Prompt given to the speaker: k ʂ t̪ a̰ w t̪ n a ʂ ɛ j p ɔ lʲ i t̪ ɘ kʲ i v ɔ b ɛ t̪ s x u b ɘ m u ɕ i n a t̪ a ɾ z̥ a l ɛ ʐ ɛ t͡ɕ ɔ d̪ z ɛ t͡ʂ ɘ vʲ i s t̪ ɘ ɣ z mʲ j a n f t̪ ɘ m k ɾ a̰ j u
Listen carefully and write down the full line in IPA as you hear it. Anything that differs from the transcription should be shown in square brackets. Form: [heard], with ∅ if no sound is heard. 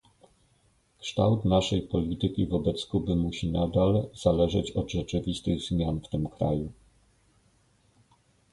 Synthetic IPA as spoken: k ʂ t̪ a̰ w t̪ n a ʂ ɛ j p ɔ lʲ i t̪ ɘ kʲ i v ɔ b ɛ t̪ s [k] u b ɘ m u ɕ i n a [d̪] a [l] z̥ a l ɛ ʐ ɛ t͡ɕ ɔ d̪ [ʐ] ɛ t͡ʂ ɘ vʲ i s t̪ ɘ ɣ z mʲ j a n f t̪ ɘ m k ɾ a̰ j u